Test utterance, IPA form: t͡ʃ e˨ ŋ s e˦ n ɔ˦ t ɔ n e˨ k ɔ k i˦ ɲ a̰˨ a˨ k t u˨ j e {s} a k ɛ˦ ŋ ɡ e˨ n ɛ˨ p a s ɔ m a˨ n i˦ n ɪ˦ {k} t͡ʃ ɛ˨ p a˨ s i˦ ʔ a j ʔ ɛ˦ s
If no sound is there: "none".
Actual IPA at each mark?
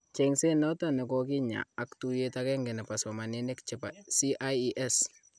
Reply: t, k

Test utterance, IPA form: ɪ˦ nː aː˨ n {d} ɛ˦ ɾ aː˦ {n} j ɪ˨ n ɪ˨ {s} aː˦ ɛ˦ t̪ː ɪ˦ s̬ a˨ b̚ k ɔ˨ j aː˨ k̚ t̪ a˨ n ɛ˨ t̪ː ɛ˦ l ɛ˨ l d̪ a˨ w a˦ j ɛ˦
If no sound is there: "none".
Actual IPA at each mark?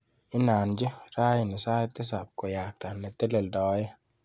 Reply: d͡ʒ, none, s

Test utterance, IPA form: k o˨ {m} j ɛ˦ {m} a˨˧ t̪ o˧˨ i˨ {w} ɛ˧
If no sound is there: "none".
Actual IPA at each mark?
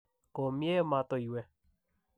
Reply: m, m, w

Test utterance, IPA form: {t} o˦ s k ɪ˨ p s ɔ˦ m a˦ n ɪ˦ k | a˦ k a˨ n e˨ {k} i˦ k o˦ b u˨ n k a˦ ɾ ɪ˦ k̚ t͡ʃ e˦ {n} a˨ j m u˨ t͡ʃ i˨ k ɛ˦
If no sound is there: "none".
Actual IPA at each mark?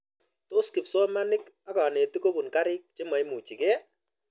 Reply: t, t, m

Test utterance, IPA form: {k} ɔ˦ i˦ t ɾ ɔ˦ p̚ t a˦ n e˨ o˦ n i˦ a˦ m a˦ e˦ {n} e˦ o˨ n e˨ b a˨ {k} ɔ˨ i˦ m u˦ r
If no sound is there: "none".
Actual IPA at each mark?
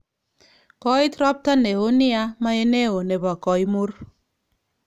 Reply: k, n, k

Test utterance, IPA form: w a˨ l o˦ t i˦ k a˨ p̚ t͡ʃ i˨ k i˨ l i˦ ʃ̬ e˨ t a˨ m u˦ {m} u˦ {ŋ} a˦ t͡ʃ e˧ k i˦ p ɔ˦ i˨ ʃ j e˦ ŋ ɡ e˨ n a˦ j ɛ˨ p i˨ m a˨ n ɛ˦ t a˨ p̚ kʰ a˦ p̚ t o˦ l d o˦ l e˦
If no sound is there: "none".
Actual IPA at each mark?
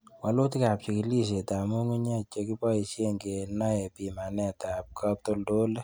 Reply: ŋ, ɲ

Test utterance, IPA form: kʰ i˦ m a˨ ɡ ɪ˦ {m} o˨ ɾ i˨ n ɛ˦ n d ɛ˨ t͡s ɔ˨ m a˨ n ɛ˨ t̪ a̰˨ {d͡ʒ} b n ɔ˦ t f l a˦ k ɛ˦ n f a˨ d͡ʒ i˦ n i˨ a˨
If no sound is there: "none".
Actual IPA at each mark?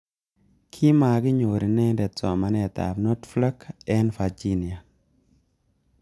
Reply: ɲ, none

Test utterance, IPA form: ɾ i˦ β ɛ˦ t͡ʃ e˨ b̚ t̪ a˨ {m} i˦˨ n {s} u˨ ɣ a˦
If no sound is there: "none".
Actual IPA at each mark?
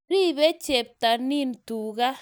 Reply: n, t

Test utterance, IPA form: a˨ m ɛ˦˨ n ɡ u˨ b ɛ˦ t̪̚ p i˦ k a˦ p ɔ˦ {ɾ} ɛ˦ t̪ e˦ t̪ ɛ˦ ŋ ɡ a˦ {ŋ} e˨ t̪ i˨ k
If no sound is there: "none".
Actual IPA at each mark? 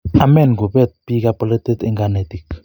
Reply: l, n

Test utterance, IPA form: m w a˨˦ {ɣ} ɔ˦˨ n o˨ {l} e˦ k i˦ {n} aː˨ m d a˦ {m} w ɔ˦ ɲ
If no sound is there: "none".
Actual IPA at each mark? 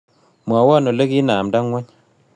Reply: w, l, n, ŋ

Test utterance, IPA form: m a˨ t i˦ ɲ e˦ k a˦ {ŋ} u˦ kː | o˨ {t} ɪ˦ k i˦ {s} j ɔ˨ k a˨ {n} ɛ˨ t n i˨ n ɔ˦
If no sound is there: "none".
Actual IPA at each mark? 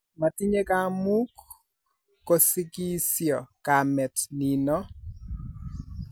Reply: m, s, s, m

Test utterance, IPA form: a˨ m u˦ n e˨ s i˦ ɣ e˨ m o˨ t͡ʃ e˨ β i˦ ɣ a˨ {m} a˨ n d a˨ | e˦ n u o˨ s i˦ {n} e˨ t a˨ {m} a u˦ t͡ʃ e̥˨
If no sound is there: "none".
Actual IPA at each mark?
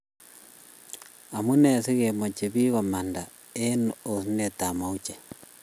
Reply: m, n, m

